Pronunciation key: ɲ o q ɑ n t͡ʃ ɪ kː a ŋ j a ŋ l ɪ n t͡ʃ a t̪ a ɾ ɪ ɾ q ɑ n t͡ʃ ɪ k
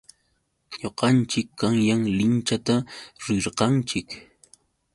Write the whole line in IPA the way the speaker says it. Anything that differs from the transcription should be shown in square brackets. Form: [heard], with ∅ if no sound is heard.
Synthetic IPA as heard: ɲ o q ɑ n t͡ʃ ɪ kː a ŋ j a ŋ l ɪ n t͡ʃ a t̪ a ɾ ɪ ɾ q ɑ n t͡ʃ ɪ k

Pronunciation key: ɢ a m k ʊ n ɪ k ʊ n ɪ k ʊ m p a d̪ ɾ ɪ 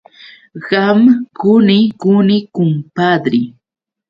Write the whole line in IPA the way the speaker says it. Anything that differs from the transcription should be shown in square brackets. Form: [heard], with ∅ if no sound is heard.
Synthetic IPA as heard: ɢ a m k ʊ n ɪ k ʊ n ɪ k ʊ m p a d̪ ɾ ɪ

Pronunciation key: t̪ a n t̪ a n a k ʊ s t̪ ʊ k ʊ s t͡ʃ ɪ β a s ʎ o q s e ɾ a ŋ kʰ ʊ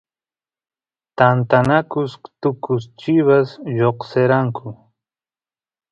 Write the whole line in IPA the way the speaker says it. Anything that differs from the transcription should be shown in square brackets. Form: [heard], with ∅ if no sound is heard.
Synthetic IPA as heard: t̪ a n t̪ a n a k ʊ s t̪ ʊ k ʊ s t͡ʃ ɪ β a s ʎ o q s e ɾ a ŋ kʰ ʊ

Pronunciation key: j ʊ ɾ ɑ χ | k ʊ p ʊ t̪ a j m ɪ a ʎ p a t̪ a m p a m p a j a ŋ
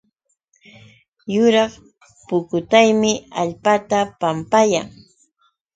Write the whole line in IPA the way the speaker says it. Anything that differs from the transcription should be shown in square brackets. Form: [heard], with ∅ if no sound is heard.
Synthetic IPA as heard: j ʊ ɾ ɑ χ | [p] ʊ [k] ʊ t̪ a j m ɪ a ʎ p a t̪ a [∅] p a m p a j a ŋ

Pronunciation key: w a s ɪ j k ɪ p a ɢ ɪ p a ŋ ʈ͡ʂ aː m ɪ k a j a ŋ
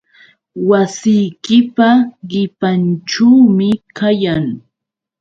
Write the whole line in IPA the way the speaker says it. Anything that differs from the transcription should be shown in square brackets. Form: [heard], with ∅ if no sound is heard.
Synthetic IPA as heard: w a s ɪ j k ɪ p a ɢ ɪ p a [n] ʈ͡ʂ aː m ɪ k a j a ŋ

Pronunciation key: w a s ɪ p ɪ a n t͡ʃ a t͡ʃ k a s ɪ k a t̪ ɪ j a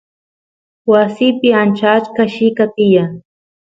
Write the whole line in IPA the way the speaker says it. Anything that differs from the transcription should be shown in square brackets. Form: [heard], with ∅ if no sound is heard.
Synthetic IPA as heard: w a s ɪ p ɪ a n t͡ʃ a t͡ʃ k a [ʃ] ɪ k a t̪ ɪ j a

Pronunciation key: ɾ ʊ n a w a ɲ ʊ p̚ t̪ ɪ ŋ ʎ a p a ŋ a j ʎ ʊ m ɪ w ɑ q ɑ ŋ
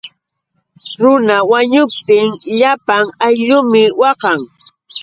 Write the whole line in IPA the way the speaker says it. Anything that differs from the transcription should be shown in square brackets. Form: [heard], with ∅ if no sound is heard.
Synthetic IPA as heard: ɾ ʊ n a w a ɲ ʊ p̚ t̪ ɪ ŋ ʎ a p a ŋ a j ʎ ʊ m ɪ w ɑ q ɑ ŋ

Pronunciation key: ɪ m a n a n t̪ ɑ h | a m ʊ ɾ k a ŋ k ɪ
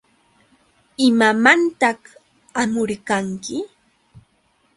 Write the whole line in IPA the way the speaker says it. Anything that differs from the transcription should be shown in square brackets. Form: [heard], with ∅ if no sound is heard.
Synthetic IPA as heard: ɪ m a [m] a n t̪ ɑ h | a m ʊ ɾ k a ŋ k ɪ

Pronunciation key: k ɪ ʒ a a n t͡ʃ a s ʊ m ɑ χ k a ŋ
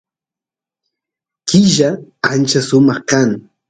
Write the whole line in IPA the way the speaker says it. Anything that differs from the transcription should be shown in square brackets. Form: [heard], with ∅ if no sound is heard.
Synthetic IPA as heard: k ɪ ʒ a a n t͡ʃ a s ʊ m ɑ χ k a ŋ

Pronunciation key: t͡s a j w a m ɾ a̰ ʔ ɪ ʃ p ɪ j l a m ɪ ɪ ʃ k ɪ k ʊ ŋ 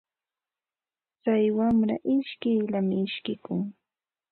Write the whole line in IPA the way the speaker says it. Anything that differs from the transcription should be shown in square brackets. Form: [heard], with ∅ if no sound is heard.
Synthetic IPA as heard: t͡s a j w a m ɾ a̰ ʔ ɪ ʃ [k] ɪ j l a m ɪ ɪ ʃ k ɪ k ʊ ŋ

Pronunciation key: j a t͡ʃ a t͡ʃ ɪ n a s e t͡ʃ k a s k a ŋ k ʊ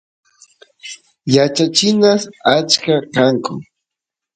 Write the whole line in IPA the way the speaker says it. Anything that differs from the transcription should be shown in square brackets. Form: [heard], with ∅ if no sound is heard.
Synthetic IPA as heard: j a t͡ʃ a t͡ʃ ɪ n a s [a] t͡ʃ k a [∅] k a ŋ k ʊ

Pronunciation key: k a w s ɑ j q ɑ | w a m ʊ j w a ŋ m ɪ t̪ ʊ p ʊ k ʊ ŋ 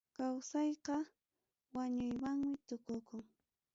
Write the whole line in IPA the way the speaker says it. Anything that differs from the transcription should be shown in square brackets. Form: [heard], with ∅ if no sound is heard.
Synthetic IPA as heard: k a w s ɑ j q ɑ | w a [ɲ] ʊ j w a ŋ m ɪ t̪ ʊ [k] ʊ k ʊ ŋ

